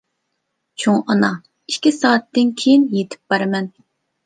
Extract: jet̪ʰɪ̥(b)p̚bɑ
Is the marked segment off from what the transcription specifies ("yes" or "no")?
yes